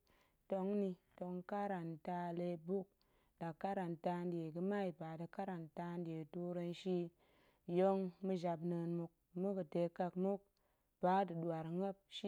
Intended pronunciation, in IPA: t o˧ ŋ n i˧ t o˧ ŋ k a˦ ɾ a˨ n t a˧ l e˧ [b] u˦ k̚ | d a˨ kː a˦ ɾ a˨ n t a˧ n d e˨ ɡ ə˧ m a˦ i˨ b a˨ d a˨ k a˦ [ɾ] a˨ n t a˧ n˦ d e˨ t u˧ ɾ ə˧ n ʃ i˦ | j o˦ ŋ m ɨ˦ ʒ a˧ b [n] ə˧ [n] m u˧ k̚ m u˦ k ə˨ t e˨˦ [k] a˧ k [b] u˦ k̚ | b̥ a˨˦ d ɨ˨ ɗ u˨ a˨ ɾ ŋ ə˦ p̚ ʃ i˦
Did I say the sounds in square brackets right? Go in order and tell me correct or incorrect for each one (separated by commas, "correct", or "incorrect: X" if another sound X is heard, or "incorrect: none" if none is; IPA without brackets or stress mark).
correct, correct, correct, correct, correct, incorrect: m